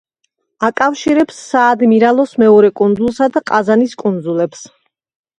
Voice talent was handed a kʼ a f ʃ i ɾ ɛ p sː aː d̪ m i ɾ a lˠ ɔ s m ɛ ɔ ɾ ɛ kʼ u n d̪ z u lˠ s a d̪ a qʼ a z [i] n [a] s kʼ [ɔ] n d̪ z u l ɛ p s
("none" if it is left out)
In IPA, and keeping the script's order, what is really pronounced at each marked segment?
a, i, u

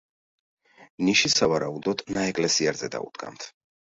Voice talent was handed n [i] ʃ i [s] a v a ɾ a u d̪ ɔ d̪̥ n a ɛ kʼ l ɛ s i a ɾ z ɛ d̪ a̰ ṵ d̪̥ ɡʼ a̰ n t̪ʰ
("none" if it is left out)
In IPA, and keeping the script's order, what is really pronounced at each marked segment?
i, s

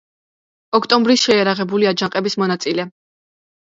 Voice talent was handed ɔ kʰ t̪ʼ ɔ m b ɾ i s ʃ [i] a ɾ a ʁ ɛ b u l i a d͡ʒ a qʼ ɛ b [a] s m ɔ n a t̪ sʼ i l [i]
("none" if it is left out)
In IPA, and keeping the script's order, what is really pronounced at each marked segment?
ɛ, i, ɛ

